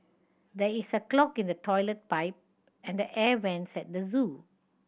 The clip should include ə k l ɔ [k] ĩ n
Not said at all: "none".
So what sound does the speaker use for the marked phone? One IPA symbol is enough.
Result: k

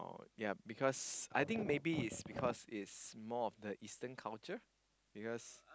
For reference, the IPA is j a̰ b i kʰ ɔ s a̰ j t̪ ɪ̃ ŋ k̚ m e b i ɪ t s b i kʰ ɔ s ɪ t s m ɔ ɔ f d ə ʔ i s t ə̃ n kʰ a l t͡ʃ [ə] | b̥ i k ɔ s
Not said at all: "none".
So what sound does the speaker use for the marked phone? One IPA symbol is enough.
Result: ə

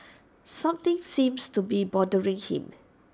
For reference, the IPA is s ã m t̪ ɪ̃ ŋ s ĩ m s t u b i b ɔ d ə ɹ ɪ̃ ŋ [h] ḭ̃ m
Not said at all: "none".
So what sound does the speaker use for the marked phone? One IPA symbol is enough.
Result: h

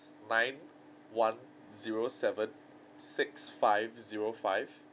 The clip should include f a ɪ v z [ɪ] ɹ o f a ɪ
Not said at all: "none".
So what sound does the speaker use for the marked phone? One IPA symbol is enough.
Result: i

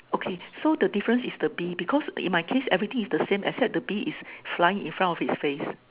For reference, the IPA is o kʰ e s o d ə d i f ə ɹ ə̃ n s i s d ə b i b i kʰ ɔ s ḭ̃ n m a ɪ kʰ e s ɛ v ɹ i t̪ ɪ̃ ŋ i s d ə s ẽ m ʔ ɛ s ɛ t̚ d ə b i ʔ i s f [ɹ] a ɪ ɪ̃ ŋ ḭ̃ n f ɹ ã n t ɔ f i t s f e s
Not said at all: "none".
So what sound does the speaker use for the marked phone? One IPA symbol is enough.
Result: l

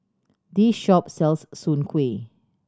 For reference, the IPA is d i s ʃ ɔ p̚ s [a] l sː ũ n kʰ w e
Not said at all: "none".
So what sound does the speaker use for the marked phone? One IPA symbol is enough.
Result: ɛ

